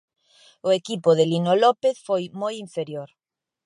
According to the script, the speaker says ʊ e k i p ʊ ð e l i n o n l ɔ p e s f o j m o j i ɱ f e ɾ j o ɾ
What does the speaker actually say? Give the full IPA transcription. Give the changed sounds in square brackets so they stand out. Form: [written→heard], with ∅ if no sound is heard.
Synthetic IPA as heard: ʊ e k i p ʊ ð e l i n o [n→∅] l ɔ p e [s→θ] f o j m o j i ɱ f e ɾ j o ɾ